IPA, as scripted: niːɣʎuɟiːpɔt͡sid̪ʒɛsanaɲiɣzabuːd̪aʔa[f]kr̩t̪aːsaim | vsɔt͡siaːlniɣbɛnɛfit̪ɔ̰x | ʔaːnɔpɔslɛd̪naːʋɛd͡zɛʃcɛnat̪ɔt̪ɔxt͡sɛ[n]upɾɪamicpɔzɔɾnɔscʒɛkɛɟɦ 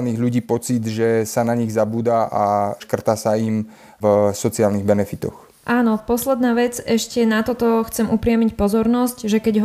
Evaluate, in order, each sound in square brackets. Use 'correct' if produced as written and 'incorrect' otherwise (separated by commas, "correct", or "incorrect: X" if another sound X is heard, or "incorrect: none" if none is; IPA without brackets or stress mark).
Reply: incorrect: ʃ, incorrect: m